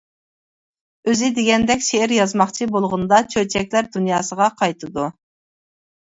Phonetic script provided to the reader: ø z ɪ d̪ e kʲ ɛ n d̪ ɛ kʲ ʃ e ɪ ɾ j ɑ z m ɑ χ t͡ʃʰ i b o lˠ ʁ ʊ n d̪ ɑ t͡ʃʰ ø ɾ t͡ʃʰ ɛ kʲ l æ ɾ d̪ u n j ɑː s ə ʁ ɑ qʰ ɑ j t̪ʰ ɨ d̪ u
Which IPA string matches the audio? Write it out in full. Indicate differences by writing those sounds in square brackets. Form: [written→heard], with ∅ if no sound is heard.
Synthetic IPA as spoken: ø z ɪ d̪ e [kʲ→ɡʲ] ɛ n d̪ ɛ kʲ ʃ e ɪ ɾ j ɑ z m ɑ χ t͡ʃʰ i b o lˠ ʁ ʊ n d̪ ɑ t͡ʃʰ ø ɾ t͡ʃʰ ɛ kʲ l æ ɾ d̪ u n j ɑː s ə ʁ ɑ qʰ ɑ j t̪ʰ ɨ d̪ u